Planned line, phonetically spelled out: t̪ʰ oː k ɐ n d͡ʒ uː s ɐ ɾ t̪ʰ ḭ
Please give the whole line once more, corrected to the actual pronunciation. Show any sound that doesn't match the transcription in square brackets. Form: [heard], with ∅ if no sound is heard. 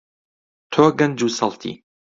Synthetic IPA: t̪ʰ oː [ɡ] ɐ n d͡ʒ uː s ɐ [l] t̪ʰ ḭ